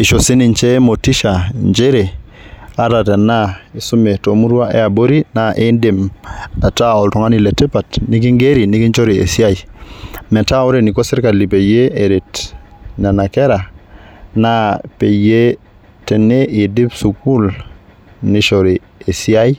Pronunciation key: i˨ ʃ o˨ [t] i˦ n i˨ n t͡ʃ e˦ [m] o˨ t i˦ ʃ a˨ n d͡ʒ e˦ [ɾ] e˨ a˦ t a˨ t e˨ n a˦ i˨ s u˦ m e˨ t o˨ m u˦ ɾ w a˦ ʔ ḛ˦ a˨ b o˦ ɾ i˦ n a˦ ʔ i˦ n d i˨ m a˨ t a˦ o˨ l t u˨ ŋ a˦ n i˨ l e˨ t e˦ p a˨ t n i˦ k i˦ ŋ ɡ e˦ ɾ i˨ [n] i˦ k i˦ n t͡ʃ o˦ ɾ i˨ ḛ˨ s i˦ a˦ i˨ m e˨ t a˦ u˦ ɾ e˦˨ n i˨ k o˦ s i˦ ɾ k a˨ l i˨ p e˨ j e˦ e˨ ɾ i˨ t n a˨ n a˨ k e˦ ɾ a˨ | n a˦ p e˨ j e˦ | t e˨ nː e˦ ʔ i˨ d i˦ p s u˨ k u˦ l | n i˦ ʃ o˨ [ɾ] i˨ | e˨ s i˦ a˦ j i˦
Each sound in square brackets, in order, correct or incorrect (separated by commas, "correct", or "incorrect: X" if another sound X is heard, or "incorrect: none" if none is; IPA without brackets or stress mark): incorrect: s, correct, correct, correct, correct